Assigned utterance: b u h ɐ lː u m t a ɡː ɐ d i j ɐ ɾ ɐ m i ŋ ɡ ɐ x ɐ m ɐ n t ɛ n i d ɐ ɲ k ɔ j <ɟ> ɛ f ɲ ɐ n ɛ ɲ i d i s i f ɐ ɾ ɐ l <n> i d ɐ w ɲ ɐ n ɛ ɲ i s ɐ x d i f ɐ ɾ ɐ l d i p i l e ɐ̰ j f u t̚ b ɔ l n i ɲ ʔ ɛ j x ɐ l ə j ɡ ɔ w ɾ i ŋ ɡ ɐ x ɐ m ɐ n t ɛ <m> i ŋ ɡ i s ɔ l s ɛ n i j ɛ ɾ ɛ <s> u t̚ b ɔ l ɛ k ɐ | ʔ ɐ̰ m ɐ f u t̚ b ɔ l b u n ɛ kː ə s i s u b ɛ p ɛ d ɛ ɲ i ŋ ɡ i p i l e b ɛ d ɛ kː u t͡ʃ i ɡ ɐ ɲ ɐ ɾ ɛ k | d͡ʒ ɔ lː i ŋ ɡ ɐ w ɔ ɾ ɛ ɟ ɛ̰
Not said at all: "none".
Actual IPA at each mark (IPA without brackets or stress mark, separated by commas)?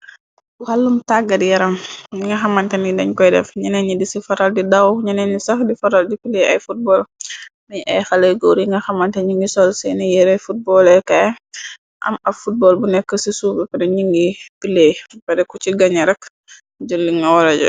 d, d, ɲ, f